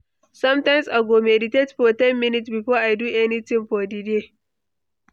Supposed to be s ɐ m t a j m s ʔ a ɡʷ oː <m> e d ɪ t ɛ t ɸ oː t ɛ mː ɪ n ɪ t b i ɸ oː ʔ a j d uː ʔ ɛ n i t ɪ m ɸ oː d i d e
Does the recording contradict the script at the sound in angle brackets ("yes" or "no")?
no